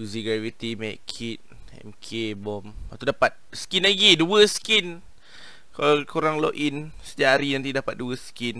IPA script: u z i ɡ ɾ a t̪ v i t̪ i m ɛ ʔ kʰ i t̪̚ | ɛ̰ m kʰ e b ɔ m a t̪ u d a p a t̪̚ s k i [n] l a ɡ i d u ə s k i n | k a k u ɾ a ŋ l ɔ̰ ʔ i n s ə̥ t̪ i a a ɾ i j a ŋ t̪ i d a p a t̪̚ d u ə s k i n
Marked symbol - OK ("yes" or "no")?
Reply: yes